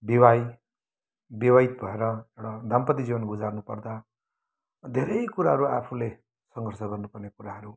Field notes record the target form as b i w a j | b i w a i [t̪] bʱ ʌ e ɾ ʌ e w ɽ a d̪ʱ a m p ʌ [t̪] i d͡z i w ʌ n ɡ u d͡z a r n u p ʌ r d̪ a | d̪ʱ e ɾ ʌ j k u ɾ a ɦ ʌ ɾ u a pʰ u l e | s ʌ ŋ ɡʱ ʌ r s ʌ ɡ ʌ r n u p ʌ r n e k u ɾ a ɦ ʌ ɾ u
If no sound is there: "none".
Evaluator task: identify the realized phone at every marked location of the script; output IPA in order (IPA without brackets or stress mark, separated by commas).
t̪, t̪